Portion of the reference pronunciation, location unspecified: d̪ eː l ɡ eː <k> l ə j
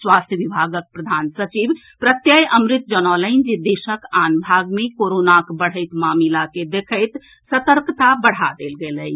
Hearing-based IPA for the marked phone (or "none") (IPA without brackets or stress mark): none